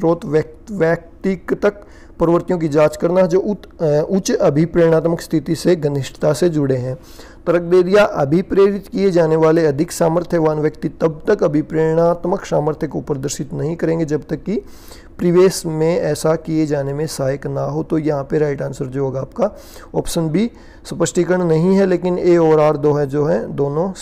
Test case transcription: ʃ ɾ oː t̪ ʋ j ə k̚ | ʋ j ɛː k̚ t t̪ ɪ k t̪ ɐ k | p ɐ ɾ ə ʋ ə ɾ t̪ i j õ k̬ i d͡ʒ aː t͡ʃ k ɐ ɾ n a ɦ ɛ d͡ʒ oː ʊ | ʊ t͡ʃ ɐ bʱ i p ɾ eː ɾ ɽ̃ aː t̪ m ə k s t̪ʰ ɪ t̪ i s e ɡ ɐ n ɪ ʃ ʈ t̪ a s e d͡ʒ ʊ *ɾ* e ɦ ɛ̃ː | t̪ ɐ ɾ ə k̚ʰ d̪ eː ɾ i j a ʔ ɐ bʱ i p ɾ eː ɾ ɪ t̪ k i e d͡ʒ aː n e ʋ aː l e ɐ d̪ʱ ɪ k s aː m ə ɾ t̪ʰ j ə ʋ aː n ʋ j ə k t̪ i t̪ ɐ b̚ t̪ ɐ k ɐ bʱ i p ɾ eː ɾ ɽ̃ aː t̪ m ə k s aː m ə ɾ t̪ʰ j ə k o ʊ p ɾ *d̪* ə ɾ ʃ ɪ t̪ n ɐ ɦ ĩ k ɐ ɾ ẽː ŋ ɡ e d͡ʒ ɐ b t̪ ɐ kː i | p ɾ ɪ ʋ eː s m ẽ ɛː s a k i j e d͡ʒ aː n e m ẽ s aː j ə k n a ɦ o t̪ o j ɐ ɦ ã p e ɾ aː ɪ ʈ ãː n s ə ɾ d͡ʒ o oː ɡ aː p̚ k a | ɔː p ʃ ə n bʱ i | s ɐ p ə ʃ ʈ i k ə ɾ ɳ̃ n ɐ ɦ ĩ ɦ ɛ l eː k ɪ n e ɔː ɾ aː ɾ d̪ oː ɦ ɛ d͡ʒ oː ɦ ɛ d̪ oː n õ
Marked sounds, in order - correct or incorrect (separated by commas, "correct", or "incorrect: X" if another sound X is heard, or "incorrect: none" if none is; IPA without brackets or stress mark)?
incorrect: ɽ, correct